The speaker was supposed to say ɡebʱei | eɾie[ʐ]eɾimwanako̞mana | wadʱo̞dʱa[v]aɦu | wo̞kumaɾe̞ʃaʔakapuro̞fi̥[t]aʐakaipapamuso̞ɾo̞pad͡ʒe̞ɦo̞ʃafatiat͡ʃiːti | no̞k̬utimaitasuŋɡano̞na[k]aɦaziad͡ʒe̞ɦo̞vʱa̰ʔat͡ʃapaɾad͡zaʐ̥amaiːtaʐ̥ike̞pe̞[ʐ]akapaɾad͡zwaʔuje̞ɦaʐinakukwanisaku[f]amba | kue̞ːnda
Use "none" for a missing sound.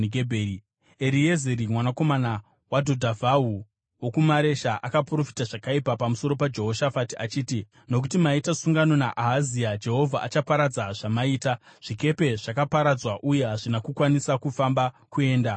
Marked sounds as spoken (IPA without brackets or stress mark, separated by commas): z, v, t, ʔ, ʐ, f